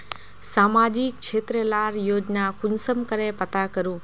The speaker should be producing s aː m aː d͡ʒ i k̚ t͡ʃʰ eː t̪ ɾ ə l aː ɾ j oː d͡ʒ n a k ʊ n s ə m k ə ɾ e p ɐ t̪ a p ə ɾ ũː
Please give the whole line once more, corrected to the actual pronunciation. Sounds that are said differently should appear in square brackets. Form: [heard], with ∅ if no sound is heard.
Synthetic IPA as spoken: s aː m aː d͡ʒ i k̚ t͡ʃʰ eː t̪ ɾ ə l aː ɾ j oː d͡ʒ n a k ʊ n s ə m k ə ɾ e p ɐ t̪ a [k] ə ɾ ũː